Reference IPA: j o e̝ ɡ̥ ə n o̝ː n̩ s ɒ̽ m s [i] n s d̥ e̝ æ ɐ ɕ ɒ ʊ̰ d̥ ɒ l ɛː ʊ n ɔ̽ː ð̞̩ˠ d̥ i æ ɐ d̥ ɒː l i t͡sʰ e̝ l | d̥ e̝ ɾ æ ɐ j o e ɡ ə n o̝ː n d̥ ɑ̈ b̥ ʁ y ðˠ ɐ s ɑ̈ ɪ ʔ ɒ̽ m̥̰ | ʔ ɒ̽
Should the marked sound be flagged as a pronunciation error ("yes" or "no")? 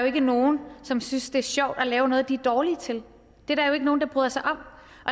yes